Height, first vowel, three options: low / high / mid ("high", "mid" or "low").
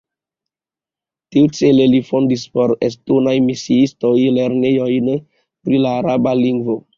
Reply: high